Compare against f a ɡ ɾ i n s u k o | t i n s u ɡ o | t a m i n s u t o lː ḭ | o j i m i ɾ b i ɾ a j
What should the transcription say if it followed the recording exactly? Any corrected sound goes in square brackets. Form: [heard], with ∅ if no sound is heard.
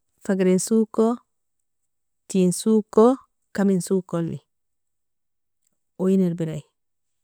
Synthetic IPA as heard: f a ɡ ɾ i n s u k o | t i n s u [k] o | [k] a m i n s u [k] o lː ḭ | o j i [n] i ɾ b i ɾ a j